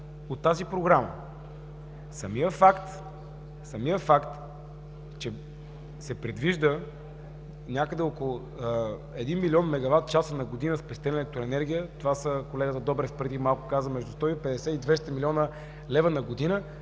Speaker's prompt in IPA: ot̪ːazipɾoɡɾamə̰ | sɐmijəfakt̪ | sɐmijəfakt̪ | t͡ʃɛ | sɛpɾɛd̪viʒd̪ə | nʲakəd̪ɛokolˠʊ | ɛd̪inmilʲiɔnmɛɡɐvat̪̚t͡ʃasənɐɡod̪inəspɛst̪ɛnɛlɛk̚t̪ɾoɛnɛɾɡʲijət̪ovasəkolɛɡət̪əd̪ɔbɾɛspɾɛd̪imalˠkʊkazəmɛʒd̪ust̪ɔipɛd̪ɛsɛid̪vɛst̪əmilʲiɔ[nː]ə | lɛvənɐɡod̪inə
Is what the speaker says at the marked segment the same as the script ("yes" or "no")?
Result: no